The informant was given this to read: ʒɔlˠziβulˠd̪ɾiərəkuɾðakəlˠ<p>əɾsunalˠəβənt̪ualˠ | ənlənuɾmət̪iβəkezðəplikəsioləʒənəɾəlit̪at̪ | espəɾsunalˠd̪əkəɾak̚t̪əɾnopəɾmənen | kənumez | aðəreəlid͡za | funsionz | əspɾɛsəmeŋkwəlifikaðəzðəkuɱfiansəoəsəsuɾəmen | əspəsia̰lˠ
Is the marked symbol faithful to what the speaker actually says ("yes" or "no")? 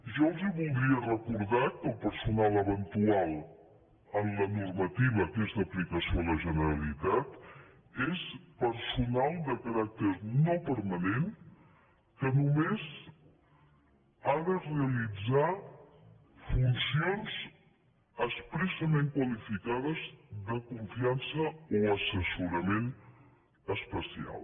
yes